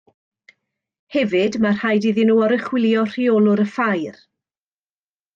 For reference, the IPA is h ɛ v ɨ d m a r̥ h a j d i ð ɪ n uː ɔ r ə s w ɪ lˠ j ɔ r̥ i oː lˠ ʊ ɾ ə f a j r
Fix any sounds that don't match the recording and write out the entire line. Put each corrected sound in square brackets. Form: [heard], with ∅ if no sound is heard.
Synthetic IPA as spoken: h ɛ v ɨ d m a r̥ h a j d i ð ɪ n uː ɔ [ɾ] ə [χ] w ɪ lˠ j ɔ r̥ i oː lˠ ʊ ɾ ə f a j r